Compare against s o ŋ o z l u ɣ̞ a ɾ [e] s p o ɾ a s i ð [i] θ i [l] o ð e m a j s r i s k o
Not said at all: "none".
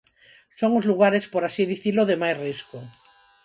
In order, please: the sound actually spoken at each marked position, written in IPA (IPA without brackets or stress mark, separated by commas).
e, i, l